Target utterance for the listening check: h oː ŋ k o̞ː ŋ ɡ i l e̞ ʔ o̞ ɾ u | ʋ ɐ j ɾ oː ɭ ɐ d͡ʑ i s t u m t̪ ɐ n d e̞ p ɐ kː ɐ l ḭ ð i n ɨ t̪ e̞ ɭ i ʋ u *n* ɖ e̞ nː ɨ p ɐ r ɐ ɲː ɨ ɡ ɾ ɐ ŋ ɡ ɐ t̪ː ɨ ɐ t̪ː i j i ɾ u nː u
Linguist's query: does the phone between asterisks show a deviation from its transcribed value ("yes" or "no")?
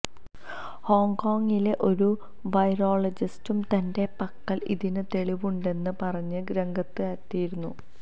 yes